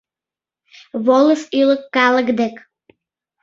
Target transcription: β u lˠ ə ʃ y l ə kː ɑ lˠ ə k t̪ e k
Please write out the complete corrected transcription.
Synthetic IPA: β o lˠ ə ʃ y l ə kː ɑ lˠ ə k d̪ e k